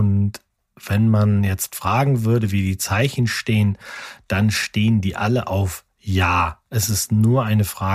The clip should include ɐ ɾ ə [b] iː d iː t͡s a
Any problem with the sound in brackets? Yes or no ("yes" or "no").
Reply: yes